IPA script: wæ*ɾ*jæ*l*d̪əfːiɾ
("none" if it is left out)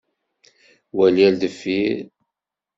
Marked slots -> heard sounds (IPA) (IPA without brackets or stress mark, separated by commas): l, l